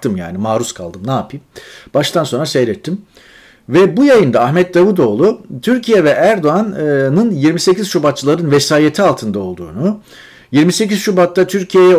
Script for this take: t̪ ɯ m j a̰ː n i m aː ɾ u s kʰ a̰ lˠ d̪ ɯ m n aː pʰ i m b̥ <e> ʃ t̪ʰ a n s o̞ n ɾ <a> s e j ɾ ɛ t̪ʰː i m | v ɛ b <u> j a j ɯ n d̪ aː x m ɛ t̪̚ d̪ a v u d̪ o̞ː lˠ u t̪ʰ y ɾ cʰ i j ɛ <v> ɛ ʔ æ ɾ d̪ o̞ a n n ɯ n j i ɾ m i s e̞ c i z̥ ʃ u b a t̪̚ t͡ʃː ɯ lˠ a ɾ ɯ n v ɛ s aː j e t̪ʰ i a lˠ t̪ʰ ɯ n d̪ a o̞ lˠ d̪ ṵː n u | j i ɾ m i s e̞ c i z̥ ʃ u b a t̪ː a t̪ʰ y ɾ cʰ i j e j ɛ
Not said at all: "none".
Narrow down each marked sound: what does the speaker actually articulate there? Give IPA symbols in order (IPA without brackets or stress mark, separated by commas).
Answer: a, a, u, v